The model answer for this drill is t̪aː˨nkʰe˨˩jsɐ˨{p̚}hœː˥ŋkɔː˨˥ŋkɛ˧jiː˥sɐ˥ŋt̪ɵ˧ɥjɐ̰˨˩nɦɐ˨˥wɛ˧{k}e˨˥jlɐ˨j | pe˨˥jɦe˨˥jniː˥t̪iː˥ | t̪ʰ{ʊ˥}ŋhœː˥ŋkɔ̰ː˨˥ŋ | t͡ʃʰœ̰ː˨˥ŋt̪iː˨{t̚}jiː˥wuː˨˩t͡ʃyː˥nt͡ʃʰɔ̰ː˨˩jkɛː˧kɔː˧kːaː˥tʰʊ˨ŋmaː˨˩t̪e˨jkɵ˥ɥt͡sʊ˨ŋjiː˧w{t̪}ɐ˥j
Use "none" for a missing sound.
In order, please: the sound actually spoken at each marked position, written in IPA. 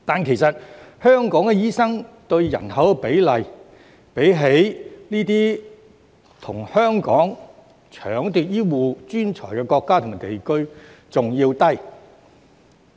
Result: t̚, p, ʊ˨˩, t̚, t̪

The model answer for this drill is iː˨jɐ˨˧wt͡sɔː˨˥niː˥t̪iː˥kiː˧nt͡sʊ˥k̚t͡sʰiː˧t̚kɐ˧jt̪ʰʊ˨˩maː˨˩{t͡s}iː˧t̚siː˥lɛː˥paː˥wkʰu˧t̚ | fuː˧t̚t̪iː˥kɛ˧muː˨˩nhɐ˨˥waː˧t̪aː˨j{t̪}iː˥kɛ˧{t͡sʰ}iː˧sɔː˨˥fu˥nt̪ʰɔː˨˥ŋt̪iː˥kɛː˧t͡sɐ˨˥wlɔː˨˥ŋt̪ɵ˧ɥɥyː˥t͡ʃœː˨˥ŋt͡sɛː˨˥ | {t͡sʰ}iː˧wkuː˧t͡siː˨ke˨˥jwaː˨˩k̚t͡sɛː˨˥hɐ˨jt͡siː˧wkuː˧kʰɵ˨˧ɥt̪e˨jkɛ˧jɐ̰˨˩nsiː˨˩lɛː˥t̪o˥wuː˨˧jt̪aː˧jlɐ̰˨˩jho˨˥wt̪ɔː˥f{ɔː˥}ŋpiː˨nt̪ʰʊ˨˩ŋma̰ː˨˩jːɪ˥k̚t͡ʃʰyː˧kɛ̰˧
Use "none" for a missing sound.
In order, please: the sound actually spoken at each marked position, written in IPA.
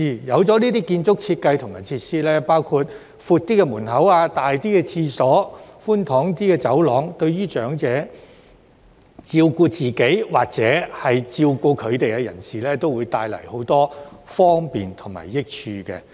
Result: t͡sʰ, t̪, t͡sʰ, t͡s, ɔː˥

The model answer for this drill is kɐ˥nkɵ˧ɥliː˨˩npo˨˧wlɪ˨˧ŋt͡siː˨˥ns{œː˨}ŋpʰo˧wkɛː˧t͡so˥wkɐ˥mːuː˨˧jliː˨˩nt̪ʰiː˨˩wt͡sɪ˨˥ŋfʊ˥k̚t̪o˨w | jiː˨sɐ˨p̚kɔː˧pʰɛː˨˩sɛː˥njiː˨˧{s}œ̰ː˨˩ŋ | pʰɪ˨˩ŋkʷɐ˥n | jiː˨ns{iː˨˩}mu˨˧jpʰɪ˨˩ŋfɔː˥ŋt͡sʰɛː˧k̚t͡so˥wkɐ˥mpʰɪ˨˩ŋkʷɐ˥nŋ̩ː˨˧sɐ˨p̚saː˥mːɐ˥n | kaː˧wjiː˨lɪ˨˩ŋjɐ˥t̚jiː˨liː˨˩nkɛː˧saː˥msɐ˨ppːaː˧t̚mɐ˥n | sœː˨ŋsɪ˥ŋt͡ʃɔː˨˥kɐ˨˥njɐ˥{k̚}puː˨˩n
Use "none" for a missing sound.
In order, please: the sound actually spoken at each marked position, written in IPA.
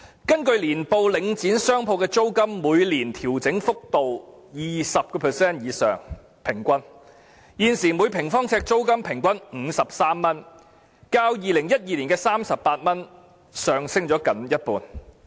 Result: œː˥, s, iː˨˩, t̚

